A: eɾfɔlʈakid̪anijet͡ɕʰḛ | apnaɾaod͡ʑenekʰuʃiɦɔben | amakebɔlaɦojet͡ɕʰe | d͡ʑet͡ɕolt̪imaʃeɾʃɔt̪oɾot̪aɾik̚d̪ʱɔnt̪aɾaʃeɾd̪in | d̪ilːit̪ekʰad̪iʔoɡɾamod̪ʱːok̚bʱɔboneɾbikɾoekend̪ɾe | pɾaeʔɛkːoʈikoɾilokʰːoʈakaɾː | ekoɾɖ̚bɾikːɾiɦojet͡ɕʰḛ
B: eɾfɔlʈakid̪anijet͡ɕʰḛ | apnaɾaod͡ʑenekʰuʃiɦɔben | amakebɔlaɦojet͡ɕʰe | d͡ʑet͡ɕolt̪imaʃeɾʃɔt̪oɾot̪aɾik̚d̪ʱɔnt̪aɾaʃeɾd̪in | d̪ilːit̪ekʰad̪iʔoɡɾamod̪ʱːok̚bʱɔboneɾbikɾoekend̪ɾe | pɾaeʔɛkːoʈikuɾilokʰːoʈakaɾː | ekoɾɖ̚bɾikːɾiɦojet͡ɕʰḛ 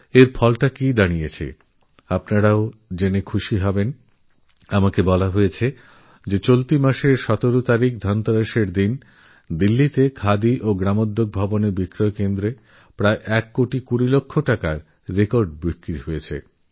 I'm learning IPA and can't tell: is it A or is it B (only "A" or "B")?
B